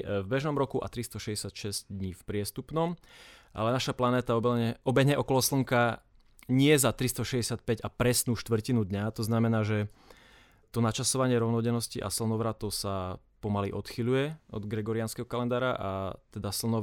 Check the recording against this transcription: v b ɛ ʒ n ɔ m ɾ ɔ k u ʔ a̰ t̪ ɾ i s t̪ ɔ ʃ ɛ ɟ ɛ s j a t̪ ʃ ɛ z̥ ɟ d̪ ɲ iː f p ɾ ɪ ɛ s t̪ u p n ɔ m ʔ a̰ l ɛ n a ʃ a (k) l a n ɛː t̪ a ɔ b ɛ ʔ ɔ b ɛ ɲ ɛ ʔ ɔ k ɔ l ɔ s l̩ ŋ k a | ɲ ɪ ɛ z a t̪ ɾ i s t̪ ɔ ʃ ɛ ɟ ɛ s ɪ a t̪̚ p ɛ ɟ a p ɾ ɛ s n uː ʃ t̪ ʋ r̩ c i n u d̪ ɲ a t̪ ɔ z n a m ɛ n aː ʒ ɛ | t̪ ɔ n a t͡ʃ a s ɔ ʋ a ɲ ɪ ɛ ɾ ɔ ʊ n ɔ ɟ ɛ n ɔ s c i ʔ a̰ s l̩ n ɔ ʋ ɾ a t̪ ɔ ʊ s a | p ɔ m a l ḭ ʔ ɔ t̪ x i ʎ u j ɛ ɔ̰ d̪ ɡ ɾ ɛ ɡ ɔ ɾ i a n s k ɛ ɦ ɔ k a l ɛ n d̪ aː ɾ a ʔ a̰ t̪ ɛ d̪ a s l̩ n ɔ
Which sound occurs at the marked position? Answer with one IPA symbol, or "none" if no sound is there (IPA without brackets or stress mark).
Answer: p